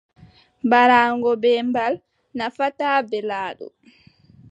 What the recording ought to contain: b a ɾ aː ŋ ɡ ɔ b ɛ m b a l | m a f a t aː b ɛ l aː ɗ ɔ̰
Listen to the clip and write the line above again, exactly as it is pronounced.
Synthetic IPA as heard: b a ɾ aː ŋ ɡ ɔ b ɛ m b a l | n a f a t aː b ɛ l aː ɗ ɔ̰